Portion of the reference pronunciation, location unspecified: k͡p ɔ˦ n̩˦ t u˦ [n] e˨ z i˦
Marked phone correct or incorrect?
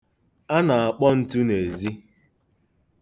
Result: correct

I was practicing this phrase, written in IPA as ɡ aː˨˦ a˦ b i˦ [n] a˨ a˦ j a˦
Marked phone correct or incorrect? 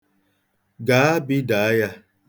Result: incorrect: d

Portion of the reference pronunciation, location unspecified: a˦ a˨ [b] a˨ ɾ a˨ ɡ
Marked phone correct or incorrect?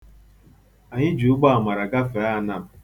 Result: incorrect: m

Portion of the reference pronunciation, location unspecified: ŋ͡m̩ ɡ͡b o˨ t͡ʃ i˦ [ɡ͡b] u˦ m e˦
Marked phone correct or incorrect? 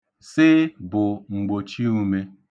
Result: incorrect: none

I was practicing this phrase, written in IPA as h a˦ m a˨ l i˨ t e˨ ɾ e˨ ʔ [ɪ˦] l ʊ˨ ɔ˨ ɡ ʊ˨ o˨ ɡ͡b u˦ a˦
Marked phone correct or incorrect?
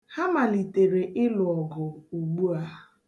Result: correct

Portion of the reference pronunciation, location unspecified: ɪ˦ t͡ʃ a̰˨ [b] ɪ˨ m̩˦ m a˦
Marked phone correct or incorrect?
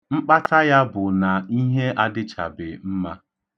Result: correct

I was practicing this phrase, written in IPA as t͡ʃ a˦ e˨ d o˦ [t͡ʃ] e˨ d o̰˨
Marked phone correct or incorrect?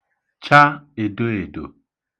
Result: incorrect: none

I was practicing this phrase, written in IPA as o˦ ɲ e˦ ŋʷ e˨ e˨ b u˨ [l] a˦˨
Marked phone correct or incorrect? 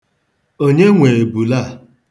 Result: correct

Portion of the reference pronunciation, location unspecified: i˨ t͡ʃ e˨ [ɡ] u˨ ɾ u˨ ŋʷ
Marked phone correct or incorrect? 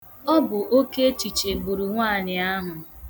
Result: incorrect: ɡ͡b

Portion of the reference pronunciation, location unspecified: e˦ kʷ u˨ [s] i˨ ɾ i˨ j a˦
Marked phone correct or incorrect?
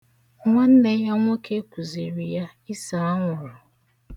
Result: incorrect: z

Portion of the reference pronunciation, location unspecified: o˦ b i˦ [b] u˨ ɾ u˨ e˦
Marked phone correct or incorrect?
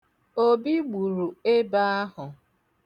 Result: incorrect: ɡ͡b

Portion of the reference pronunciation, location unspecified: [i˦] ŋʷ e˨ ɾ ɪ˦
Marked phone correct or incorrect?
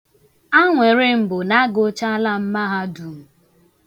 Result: incorrect: a˦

